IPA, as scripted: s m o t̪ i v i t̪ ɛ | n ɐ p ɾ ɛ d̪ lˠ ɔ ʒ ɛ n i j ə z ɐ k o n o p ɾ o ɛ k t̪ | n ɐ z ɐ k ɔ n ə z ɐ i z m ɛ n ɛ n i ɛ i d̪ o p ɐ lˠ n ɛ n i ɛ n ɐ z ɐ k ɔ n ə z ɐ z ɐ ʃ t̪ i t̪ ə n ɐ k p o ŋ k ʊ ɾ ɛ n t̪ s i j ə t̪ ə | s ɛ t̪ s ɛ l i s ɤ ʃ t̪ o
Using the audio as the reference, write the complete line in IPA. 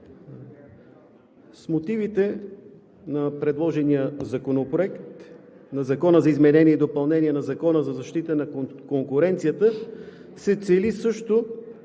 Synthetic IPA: s m o t̪ i v i t̪ ɛ | n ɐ p ɾ ɛ d̪ lˠ ɔ ʒ ɛ n i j ə z ɐ k o n o p ɾ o ɛ k t̪ | n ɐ z ɐ k ɔ n ə z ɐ i z m ɛ n ɛ n i ɛ i d̪ o p ɐ lˠ n ɛ n i ɛ n ɐ z ɐ k ɔ n ə z ɐ z ɐ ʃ t̪ i t̪ ə n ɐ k k o ŋ k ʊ ɾ ɛ n t̪ s i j ə t̪ ə | s ɛ t̪ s ɛ l i s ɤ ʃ t̪ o